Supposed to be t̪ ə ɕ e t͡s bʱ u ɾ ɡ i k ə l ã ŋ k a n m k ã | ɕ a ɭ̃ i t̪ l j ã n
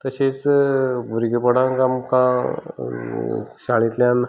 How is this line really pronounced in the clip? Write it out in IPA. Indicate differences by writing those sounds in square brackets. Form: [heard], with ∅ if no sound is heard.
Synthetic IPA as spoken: t̪ ə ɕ e t͡s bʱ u ɾ ɡ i [p] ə [ɽ] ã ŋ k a [∅] m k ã | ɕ a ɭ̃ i t̪ l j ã n